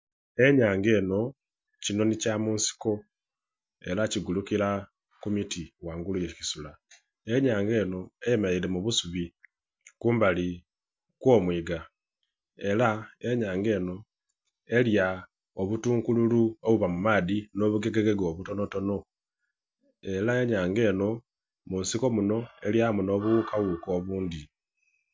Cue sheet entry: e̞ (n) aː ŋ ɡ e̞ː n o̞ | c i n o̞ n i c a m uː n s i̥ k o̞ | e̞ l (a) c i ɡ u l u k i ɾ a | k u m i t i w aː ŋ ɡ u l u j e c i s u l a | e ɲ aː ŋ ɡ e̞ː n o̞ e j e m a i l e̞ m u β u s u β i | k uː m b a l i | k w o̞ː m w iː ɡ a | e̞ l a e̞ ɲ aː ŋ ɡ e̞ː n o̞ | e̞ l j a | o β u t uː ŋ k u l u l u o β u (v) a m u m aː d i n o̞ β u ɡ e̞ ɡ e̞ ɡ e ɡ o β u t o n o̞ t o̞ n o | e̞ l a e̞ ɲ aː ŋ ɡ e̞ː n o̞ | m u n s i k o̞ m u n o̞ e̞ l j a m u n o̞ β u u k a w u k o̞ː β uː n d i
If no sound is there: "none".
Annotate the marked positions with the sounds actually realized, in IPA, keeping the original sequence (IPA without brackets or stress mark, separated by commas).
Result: ɲ, a, β